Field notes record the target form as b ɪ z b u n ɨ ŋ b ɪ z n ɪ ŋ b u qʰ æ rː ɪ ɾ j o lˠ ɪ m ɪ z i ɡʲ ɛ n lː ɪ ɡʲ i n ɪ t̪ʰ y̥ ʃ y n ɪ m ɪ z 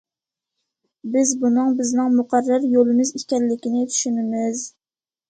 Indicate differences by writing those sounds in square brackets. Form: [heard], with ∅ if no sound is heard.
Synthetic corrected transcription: b ɪ z b u n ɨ ŋ b ɪ z n ɪ ŋ [m] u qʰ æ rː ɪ ɾ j o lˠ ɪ m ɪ z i [kʲ] ɛ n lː ɪ [kʲ] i n ɪ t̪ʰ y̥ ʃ y n ɪ m ɪ z